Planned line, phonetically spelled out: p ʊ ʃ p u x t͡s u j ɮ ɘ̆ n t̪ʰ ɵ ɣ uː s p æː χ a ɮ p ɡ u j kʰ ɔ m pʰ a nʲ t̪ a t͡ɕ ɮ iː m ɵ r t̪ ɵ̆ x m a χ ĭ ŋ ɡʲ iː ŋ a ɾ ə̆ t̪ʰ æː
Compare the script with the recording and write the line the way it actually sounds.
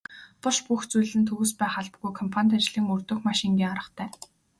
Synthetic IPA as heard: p ʊ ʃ p u x t͡s u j ɮ ɘ̆ n t̪ʰ ɵ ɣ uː s p æː χ a ɮ p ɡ u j kʰ ɔ m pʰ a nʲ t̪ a t͡ɕ ɮ iː ŋ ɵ r t̪ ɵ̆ x m a ʃ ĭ ŋ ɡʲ iː ŋ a ɾ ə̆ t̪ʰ æː